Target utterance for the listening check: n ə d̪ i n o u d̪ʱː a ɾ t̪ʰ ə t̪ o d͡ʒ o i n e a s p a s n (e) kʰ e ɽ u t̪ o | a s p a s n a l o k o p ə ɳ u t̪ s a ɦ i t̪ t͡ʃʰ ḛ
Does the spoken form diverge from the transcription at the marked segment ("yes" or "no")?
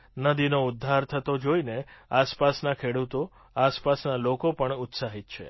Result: yes